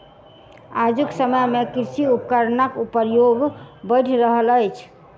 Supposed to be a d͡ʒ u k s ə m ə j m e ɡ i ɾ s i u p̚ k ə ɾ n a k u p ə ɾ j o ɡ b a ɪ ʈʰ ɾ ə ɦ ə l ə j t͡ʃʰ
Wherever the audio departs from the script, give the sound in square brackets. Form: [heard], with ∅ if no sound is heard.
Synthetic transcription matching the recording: a d͡ʒ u k s ə m ə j m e [k] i ɾ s i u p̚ k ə ɾ n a k u p ə ɾ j o ɡ b [ə] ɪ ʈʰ ɾ ə ɦ ə l ə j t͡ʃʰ